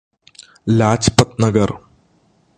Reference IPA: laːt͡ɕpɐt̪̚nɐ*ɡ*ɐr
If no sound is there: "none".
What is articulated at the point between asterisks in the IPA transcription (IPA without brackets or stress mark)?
ɡ